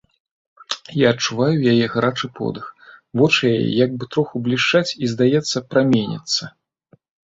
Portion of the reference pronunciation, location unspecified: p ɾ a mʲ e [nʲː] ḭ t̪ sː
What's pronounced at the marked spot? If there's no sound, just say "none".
nʲ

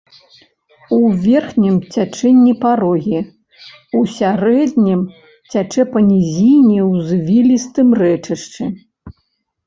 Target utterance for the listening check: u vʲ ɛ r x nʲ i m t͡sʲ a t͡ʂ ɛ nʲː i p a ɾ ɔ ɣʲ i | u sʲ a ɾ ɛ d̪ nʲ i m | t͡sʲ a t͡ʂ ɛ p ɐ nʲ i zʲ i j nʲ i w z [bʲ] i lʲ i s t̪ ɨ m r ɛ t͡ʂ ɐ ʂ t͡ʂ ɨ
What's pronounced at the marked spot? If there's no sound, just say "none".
vʲ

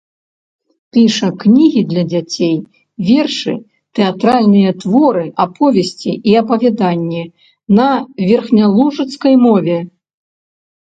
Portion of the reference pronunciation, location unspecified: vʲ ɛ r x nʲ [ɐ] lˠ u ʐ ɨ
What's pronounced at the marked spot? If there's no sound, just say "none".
a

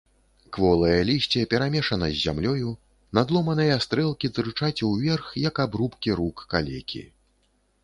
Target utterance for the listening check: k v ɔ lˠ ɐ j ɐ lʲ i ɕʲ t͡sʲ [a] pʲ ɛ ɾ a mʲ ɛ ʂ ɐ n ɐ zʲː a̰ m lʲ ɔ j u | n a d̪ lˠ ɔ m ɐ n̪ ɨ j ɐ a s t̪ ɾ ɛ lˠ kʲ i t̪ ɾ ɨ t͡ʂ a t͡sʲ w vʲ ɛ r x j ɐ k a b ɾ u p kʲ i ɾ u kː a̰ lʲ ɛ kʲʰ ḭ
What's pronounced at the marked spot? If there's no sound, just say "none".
ɛ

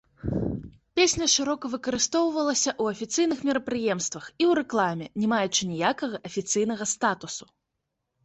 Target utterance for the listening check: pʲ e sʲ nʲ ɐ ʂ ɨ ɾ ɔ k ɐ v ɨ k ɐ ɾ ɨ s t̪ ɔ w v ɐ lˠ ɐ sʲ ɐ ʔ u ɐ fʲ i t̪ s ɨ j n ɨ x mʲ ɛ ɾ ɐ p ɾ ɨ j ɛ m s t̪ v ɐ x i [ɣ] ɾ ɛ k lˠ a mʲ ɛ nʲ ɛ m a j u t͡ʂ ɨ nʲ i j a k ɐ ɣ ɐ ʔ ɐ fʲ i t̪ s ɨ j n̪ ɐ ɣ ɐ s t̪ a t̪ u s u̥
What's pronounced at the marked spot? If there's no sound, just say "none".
w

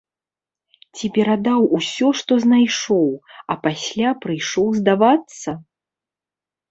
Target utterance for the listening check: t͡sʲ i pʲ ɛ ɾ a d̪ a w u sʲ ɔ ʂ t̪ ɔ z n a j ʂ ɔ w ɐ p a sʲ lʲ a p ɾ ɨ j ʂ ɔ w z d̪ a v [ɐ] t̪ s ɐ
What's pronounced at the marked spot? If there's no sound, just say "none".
a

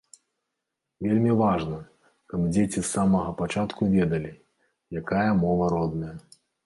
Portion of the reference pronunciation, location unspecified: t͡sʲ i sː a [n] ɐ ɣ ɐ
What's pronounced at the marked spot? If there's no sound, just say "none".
m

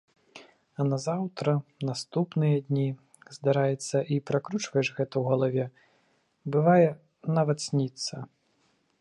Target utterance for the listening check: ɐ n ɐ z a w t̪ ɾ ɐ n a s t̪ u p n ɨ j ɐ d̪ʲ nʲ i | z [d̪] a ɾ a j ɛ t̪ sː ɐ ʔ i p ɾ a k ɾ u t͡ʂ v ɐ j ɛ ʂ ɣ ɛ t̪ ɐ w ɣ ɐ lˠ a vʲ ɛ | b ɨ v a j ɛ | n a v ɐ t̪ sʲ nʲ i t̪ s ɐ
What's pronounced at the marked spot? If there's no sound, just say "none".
d̪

